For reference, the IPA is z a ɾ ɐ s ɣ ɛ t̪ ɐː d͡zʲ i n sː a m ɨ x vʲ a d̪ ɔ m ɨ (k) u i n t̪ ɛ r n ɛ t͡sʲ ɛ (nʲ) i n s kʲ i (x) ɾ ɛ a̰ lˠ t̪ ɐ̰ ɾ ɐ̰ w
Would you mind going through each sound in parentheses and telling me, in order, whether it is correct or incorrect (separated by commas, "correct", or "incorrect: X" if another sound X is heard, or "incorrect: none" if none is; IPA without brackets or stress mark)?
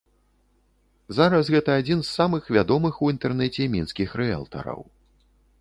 incorrect: x, incorrect: mʲ, correct